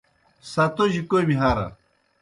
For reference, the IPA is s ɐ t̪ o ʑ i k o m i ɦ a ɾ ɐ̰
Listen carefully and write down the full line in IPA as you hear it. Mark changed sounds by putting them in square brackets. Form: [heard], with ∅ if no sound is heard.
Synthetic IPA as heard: s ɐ t̪ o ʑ i k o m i ɦ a ɾ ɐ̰